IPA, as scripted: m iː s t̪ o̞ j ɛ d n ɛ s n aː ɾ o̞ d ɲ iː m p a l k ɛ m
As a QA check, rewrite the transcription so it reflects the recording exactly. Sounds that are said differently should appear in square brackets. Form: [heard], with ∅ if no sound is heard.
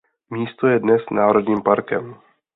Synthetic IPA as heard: m iː s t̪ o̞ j ɛ d n ɛ s n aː ɾ o̞ d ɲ iː m p a [ɾ] k ɛ m